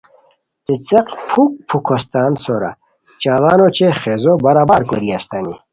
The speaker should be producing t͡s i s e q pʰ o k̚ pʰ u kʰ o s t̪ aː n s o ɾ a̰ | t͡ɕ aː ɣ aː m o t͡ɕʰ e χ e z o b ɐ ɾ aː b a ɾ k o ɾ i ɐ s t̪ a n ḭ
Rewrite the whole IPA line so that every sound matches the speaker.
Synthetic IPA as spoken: t͡s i t͡s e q pʰ u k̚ pʰ u kʰ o s t̪ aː n s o ɾ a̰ | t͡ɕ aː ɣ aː n o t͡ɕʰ e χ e z o b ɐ ɾ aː b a ɾ k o ɾ i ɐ s t̪ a n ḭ